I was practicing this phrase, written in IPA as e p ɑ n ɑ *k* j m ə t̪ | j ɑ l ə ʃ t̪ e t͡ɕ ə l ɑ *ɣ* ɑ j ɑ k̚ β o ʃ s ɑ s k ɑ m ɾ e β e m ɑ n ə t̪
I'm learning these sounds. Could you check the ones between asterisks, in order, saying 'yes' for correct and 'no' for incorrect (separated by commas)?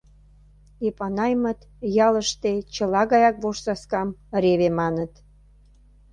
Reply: no, yes